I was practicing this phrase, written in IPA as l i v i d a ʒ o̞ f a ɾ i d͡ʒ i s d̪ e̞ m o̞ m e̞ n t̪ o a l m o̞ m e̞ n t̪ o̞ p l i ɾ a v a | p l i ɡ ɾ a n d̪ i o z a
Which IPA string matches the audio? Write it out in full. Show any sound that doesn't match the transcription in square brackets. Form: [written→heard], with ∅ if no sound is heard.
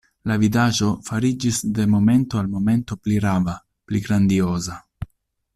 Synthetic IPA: l [i→a] v i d a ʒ o̞ f a ɾ i d͡ʒ i s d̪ e̞ m o̞ m e̞ n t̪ o a l m o̞ m e̞ n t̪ o̞ p l i ɾ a v a | p l i ɡ ɾ a n d̪ i o z a